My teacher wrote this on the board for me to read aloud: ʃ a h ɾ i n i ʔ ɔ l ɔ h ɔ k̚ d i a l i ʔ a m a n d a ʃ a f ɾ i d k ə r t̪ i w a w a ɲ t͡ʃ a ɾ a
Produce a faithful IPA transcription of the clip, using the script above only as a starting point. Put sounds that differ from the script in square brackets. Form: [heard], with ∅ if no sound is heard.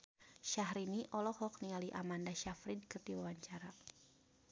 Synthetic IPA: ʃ a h ɾ i n i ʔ ɔ l ɔ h ɔ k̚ [n] i a l i ʔ a m a n d a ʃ a f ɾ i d k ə r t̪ i w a w a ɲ t͡ʃ a ɾ a